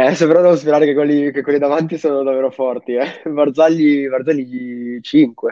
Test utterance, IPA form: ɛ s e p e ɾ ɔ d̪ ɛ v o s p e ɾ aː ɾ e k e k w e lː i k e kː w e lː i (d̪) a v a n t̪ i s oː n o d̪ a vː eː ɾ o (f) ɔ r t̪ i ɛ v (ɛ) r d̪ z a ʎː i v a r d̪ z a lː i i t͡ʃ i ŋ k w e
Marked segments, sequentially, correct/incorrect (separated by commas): correct, correct, incorrect